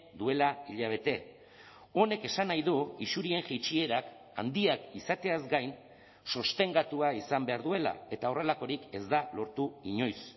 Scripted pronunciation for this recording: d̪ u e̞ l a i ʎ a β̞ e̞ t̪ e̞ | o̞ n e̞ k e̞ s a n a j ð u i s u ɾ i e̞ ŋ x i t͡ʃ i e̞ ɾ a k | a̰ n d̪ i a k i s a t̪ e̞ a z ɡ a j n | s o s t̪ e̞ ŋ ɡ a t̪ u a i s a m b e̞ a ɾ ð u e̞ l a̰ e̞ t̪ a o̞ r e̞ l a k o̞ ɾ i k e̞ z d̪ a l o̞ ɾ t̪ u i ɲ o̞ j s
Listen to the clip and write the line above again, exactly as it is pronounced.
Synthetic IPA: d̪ u e̞ l a i ʎ a β̞ e̞ t̪ e̞ | o̞ n e̞ k e̞ s a n a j ð u i s u ɾ i e̞ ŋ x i t͡ʃ i e̞ ɾ a k | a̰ n d̪ i a k i s a t̪ e̞ a z ɡ a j n | s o s t̪ e̞ ŋ ɡ a t̪ u a i s a m b e̞ a ɾ ð u e̞ l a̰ e̞ t̪ a o̞ r e̞ l a k o̞ ɾ i k e̞ z d̪ a l o̞ ɾ t̪ u i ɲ o̞ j s